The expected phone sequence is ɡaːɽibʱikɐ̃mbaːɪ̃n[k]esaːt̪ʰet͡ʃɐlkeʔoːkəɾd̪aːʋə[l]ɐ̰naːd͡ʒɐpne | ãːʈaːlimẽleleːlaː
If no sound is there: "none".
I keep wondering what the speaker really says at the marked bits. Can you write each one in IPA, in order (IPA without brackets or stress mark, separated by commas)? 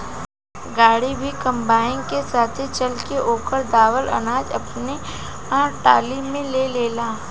k, l